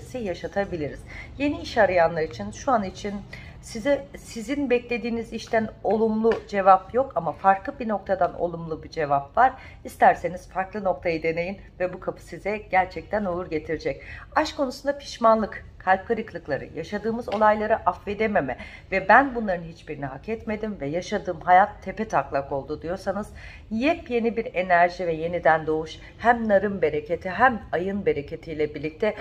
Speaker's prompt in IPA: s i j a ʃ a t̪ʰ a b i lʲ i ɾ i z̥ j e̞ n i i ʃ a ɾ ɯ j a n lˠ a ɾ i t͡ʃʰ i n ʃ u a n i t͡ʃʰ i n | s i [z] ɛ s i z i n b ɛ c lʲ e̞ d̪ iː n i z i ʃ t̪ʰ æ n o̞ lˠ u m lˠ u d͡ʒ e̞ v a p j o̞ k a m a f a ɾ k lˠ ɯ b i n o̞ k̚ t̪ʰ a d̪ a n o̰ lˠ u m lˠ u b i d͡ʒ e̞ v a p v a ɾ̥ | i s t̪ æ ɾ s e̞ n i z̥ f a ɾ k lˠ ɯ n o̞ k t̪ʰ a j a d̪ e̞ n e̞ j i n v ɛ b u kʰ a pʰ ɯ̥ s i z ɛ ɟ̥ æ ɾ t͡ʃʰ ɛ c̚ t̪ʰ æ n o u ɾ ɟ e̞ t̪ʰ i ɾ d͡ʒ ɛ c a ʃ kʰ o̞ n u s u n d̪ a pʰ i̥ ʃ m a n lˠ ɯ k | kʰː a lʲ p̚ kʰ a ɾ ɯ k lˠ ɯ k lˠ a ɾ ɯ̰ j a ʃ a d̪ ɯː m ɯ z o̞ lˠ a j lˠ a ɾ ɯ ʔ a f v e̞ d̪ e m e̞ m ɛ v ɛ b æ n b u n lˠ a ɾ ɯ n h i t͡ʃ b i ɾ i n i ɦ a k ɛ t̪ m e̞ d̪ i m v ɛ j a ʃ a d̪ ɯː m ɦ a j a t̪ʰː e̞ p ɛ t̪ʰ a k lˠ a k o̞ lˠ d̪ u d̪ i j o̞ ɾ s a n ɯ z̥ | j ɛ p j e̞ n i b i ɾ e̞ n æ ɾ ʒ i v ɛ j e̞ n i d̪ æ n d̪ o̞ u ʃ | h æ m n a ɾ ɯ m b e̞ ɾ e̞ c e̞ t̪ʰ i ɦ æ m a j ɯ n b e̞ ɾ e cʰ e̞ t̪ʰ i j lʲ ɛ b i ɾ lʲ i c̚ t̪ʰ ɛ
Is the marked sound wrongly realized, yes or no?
no